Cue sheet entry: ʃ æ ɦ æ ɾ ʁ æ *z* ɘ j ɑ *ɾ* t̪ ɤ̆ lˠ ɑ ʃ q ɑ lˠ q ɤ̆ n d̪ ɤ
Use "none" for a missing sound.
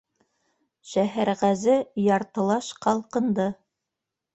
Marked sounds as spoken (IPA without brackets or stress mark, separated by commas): z, ɾ